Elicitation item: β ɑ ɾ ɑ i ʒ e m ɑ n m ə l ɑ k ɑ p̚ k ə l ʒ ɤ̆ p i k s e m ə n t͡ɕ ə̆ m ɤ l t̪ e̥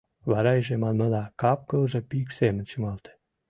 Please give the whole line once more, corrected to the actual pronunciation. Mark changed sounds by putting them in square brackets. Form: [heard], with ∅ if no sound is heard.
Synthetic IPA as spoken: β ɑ ɾ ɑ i ʒ e m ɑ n m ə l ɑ k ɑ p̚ k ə l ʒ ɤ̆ p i k s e m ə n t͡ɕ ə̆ m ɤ l t̪ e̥